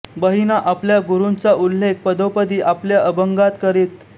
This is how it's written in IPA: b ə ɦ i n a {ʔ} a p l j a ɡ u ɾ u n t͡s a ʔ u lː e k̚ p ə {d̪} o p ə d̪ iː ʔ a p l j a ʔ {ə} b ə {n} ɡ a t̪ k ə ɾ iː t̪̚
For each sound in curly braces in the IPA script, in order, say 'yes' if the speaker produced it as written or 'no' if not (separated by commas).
yes, yes, yes, no